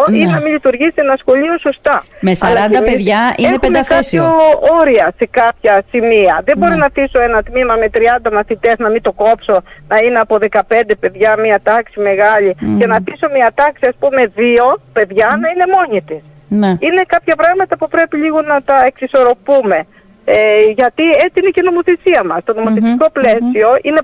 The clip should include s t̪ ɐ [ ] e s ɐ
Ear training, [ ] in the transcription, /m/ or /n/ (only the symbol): m